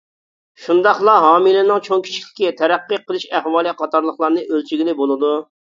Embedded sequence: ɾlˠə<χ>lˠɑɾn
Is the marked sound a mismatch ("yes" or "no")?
no